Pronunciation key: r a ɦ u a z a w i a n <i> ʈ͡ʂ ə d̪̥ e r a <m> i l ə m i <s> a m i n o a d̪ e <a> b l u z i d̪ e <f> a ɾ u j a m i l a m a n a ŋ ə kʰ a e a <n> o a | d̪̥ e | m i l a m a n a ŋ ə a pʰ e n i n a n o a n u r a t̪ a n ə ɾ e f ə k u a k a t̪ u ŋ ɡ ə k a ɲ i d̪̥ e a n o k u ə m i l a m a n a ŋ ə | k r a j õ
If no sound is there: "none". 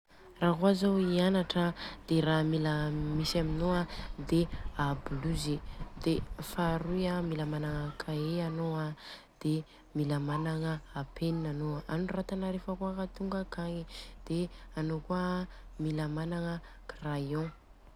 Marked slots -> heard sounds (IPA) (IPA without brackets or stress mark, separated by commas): a, m, s, a, f, n